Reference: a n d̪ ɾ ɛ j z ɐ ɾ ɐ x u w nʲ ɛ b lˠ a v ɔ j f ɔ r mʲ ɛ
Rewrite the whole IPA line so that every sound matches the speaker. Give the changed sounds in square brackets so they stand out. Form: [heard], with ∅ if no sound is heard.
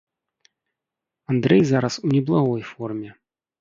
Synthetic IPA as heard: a n d̪ ɾ ɛ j z [a] ɾ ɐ [s] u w nʲ ɛ b lˠ a [ɣ] ɔ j f ɔ r mʲ ɛ